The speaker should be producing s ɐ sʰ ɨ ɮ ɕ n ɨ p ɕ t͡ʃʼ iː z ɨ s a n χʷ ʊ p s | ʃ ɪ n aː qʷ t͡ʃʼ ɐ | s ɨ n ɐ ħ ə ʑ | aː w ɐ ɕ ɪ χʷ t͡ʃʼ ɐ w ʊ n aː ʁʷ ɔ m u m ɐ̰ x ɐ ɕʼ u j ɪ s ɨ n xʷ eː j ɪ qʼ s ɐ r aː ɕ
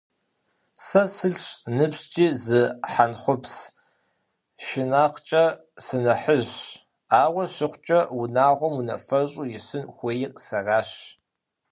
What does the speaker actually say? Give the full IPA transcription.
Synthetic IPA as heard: s ɐ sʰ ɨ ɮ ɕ n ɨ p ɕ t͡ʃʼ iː z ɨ ħ a n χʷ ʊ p s | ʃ ɪ n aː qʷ t͡ʃʼ ɐ | s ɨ n ɐ ħ ə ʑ | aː w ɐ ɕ ɪ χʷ t͡ʃʼ ɐ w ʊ n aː ʁʷ ɔ m u n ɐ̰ f ɐ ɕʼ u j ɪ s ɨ n xʷ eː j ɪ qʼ s ɐ r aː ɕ

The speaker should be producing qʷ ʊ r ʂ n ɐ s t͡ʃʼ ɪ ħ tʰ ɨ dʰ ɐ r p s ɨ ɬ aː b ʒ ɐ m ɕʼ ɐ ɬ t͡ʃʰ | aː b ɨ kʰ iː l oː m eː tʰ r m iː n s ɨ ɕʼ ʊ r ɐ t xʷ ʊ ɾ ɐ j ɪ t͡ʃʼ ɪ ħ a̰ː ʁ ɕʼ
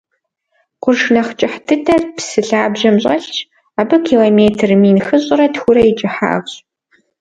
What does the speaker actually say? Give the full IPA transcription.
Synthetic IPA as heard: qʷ ʊ r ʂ n ɐ χ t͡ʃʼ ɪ ħ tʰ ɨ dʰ ɐ r p s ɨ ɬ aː b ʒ ɐ m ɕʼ ɐ ɬ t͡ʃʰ | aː b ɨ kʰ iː l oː m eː tʰ r m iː n x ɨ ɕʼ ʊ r ɐ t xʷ ʊ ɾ ɐ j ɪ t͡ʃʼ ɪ ħ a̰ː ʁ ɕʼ

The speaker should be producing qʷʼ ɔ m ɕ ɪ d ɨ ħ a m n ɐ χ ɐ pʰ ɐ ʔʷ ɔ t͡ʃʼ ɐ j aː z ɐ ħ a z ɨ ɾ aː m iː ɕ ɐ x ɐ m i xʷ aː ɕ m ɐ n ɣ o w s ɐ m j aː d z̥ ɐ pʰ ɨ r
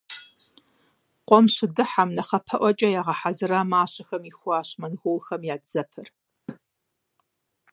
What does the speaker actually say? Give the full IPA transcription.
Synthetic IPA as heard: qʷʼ ɔ m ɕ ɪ d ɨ ħ a m n ɐ χ ɐ pʰ ɐ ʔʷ ɔ t͡ʃʼ ɐ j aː ʁ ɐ ħ a z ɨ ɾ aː m aː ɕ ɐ x ɐ m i xʷ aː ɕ m ɐ n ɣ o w x ɐ m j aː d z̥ ɐ pʰ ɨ r

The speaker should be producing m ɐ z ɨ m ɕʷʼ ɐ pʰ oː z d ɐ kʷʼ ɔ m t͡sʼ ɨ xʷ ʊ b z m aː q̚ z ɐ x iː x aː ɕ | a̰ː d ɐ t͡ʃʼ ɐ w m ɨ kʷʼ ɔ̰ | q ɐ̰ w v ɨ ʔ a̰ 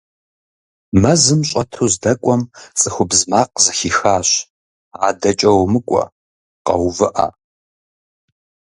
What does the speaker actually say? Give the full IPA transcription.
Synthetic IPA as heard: m ɐ z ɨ m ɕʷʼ ɐ tʰ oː z d ɐ kʷʼ ɔ m t͡sʼ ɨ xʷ ʊ b z m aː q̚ z ɐ x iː x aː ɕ | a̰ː d ɐ t͡ʃʼ ɐ w m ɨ kʷʼ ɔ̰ | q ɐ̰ w v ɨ ʔ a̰

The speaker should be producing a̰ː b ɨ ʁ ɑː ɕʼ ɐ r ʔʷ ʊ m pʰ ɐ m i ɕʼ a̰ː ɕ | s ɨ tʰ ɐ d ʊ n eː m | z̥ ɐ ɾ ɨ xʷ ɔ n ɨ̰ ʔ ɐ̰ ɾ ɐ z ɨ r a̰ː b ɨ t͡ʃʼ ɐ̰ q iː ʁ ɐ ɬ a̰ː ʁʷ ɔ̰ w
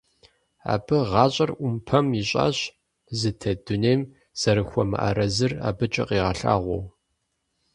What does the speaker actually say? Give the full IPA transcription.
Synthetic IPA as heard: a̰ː b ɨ ʁ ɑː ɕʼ ɐ r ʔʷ ʊ m pʰ ɐ m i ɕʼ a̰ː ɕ | z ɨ tʰ ɐ d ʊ n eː m | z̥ ɐ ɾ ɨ xʷ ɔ m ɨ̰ ʔ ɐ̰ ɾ ɐ z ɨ r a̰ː b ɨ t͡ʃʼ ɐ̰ q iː ʁ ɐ ɬ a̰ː ʁʷ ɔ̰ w

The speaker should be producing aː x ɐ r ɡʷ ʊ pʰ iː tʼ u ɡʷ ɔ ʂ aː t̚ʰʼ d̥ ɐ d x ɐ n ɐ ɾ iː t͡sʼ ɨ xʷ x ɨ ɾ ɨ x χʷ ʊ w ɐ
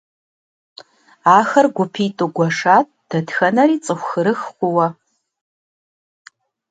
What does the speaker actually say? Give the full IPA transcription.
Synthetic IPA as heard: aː x ɐ r ɡʷ ʊ pʰ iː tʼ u ɡʷ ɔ ʂ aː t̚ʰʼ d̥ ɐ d x ɐ n ɐ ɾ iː t͡sʼ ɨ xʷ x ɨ ɾ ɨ x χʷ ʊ w ɐ

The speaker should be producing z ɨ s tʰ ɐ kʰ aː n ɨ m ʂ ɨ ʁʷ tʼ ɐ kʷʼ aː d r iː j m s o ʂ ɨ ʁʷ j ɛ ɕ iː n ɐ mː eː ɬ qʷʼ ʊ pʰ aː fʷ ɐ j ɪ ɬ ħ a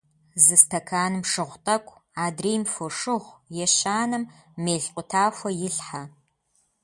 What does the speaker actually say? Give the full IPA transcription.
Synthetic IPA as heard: z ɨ s tʰ ɐ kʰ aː n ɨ m ʂ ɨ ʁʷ tʼ ɐ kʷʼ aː d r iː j m f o ʂ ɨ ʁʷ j ɛ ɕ aː n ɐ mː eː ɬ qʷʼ ʊ tʰ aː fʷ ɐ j ɪ ɬ ħ a

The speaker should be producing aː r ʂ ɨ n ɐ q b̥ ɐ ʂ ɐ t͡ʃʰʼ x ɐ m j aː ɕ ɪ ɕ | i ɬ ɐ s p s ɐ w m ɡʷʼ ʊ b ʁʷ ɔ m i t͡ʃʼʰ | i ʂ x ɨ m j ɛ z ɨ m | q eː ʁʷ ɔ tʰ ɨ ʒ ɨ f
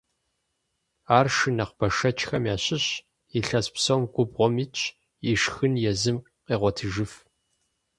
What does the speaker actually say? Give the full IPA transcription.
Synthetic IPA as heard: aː r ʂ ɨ n ɐ q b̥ ɐ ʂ ɐ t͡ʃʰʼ x ɐ m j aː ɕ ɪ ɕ | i ɬ ɐ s p s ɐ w m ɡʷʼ ʊ b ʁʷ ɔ m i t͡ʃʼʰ | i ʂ x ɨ n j ɛ z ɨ m | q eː ʁʷ ɔ tʰ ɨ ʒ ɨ f

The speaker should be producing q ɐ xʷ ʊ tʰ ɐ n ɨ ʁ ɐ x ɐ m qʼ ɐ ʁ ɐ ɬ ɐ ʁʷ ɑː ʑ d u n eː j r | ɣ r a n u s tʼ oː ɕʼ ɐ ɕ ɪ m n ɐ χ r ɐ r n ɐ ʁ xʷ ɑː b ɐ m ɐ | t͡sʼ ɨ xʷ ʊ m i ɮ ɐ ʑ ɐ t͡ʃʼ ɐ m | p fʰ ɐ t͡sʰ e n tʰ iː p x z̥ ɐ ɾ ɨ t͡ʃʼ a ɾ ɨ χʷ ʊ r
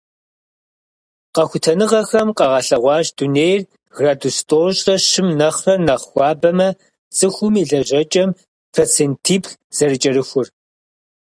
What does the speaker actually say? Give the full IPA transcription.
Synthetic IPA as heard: q ɐ xʷ ʊ tʰ ɐ n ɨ ʁ ɐ x ɐ m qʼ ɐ ʁ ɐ ɬ ɐ ʁʷ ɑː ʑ d u n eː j r | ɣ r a d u s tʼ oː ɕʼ ɐ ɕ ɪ m n ɐ χ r ɐ r n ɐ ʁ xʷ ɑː b ɐ m ɐ | t͡sʼ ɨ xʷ ʊ m i ɮ ɐ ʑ ɐ t͡ʃʼ ɐ m | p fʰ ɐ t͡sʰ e n tʰ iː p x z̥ ɐ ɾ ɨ t͡ʃʼ ɐ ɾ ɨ xʷ ʊ r

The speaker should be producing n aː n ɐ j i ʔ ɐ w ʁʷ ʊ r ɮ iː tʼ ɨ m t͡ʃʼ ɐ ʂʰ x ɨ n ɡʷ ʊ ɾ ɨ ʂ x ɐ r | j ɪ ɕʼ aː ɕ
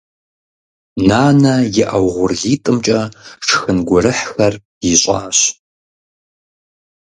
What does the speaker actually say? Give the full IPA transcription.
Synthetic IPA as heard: n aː n ɐ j ɪ ʔ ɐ w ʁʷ ʊ r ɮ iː tʼ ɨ m t͡ʃʼ ɐ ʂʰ x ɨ n ɡʷ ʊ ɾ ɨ ħ x ɐ r | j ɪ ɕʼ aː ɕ

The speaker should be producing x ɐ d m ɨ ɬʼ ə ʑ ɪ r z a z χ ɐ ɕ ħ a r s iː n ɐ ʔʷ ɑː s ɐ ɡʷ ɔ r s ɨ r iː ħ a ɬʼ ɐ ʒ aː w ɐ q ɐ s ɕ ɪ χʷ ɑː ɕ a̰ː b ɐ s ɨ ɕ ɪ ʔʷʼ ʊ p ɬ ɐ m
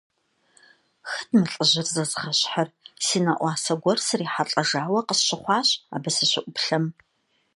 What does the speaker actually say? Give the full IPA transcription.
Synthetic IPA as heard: x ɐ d m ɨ ɬʼ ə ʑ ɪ r z ɐ z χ ɐ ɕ ħ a r s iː n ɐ ʔʷ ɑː s ɐ ɡʷ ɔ r s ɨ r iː ħ a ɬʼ ɐ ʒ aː w ɐ q ə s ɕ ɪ χʷ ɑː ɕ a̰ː b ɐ s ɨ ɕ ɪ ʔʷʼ ʊ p ɬ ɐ m

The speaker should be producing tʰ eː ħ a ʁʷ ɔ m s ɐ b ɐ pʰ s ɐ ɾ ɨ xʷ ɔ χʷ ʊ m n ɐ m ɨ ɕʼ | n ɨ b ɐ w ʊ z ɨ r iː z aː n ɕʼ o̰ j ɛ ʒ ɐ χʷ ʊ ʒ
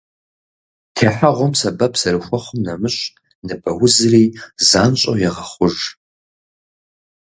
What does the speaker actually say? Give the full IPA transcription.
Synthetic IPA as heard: tʰ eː ħ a ʁʷ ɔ m s ɐ b ɐ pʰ s ɐ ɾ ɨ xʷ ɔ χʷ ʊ m n ɐ m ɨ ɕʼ | n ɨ b ɐ w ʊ z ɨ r iː z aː n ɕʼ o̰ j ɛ ʁ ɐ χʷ ʊ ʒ

